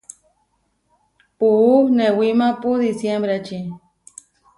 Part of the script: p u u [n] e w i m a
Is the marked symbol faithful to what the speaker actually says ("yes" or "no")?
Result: yes